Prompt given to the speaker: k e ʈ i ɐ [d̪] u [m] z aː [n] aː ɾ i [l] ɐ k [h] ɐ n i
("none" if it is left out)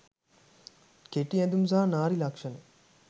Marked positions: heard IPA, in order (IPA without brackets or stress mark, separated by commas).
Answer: d̪, m, n, l, ʂ